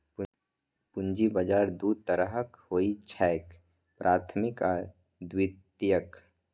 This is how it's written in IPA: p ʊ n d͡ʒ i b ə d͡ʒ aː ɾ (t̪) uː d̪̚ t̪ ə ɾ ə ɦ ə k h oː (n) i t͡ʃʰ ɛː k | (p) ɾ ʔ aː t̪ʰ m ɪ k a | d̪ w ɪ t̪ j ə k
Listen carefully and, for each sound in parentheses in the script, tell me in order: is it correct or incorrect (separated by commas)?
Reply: incorrect, incorrect, correct